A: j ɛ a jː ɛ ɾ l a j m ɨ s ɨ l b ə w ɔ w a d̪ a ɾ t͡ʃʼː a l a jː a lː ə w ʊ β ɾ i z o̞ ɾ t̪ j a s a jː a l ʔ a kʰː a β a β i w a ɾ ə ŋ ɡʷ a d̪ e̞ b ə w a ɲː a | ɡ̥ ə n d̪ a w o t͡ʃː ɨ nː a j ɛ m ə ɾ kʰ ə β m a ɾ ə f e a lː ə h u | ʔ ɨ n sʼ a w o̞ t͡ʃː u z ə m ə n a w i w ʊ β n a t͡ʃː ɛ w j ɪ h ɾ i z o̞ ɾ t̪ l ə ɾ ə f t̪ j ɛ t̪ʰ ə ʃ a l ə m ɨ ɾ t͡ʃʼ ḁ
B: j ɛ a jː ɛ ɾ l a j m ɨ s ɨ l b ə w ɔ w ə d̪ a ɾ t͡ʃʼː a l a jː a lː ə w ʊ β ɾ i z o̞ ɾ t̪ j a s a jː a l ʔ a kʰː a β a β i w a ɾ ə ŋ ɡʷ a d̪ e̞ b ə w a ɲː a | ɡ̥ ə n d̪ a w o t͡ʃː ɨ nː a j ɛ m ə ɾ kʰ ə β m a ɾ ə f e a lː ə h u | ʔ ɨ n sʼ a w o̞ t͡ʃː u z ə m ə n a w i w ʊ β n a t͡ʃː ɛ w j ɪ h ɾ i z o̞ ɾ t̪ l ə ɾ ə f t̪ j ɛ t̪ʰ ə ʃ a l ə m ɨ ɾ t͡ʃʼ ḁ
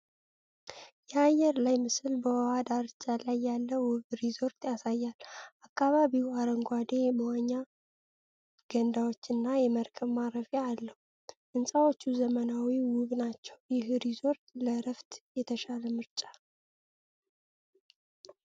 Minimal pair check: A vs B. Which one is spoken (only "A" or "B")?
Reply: A